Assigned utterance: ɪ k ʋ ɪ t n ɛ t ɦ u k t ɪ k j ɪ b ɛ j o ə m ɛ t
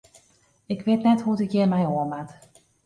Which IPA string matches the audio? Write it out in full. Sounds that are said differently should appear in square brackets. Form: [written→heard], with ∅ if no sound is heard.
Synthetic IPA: ɪ k ʋ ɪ t n ɛ t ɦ u [k→∅] t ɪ k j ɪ [b→m] ɛ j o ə m [ɛ→a] t